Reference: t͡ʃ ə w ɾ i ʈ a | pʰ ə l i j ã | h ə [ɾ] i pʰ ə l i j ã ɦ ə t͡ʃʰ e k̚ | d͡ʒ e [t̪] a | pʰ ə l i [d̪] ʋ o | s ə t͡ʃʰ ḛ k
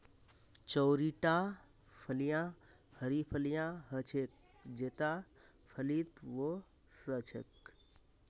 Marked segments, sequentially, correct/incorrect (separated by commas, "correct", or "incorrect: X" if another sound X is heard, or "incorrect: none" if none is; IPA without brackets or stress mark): correct, correct, incorrect: t̪